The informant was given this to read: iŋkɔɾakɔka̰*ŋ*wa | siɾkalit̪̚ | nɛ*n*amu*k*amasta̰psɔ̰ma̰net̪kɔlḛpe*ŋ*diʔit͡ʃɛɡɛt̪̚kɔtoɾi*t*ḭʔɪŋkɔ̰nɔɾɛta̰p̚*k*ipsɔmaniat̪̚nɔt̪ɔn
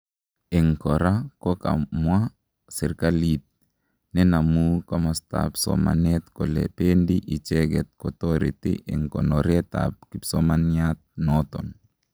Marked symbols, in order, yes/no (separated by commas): no, yes, yes, no, yes, yes